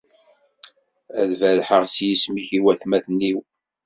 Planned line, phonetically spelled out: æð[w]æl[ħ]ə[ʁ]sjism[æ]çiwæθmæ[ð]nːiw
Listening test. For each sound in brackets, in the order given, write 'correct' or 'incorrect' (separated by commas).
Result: incorrect, correct, correct, incorrect, incorrect